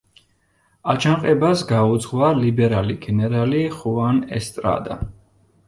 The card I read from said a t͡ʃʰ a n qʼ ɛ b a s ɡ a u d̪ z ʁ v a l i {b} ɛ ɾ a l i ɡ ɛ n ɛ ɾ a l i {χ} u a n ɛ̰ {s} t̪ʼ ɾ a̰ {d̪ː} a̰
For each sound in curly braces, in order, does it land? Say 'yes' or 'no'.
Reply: yes, yes, yes, no

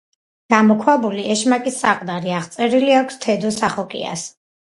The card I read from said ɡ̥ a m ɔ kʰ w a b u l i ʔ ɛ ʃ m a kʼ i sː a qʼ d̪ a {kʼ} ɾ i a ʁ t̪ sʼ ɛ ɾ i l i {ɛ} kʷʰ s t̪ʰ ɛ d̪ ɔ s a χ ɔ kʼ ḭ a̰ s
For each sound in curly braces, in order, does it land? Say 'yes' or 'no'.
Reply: no, no

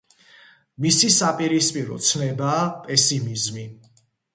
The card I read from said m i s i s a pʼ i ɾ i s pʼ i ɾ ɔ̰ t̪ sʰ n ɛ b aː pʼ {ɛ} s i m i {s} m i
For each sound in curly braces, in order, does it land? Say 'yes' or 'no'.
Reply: yes, no

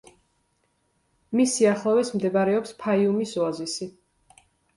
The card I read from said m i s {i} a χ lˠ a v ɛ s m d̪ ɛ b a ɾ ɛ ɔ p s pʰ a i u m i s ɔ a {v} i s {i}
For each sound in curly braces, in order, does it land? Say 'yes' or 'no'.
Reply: yes, no, yes

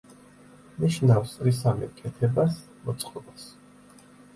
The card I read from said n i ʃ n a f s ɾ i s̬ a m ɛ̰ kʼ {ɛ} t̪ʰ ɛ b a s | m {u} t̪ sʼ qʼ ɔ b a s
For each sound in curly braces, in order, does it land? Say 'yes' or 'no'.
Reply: yes, no

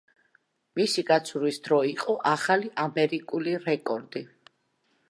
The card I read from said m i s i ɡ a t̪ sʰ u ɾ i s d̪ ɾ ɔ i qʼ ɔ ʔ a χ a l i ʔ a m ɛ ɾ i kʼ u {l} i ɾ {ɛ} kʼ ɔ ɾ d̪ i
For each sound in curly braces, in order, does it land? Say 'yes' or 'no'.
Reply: yes, yes

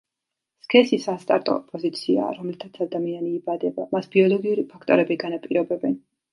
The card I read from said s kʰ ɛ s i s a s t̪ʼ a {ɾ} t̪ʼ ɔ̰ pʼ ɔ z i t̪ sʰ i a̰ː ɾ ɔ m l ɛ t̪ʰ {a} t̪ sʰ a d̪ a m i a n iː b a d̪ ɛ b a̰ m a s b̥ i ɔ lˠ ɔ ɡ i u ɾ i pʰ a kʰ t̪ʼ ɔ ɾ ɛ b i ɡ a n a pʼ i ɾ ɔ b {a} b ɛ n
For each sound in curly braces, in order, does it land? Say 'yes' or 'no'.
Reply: yes, yes, no

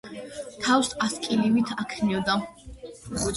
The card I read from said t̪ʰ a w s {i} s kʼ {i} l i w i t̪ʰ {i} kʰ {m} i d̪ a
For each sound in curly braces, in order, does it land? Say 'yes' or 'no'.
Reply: no, yes, no, no

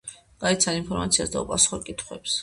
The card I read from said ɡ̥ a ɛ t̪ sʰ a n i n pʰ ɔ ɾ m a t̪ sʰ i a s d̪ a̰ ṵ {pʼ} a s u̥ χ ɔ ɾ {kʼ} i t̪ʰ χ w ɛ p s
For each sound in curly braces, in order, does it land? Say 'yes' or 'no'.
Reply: yes, yes

